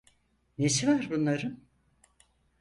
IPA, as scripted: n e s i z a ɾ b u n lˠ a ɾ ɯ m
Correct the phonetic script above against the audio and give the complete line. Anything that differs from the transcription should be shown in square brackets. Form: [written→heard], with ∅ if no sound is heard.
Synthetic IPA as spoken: n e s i [z→v] a ɾ b u n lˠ a ɾ ɯ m